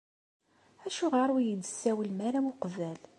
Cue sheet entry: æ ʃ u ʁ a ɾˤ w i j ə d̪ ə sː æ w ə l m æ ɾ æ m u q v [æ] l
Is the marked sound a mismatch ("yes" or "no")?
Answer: no